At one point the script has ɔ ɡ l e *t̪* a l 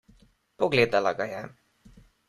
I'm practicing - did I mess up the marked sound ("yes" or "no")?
yes